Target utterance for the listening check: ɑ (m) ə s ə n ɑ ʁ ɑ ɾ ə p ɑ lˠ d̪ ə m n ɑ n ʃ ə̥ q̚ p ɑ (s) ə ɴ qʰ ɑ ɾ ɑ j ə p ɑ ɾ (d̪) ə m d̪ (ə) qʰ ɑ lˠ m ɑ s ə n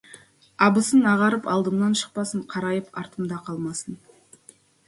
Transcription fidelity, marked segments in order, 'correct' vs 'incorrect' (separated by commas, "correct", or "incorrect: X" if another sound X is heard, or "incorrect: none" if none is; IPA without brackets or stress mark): incorrect: b, correct, incorrect: t̪, incorrect: ɑ